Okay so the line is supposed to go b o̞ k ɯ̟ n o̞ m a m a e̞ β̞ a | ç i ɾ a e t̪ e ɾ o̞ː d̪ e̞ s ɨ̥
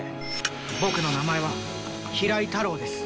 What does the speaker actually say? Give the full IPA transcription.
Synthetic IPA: b o̞ k ɯ̟ n o̞ n a m a e̞ β̞ a | ç i ɾ a i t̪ a ɾ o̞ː d̪ e̞ s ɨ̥